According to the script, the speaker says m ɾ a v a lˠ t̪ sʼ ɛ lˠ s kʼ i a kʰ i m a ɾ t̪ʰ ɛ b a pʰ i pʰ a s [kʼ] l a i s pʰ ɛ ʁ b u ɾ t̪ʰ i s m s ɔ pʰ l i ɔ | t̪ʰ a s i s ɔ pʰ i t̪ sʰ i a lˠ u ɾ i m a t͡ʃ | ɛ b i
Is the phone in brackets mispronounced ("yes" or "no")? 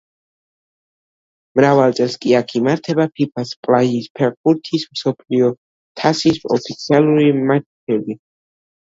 yes